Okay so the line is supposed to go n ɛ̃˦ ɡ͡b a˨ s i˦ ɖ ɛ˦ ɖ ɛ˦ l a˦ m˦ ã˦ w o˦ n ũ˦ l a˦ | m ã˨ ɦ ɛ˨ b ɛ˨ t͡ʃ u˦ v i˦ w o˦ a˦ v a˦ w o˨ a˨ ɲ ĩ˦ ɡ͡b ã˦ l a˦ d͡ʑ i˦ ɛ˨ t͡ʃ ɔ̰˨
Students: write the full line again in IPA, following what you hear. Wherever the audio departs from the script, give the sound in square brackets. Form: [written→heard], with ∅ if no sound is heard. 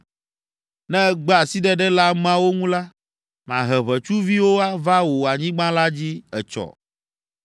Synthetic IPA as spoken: n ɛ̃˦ ɡ͡b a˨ s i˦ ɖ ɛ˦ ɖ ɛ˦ l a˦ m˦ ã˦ w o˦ [n→ŋ] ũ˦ l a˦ | m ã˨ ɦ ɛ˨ [b→β] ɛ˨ t͡ʃ u˦ v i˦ w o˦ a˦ v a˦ w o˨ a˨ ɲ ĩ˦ ɡ͡b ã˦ l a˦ d͡ʑ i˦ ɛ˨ t͡ʃ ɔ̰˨